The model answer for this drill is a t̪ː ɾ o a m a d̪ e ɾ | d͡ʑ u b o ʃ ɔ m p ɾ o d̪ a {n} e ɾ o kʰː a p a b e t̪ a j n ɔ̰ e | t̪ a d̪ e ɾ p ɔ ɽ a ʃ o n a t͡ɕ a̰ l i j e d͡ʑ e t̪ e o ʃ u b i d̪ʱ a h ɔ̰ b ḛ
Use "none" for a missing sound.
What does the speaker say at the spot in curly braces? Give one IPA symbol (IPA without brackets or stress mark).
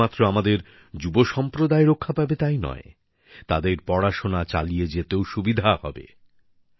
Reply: none